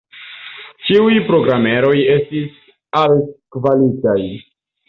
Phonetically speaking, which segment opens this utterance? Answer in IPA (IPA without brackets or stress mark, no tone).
t͡ʃ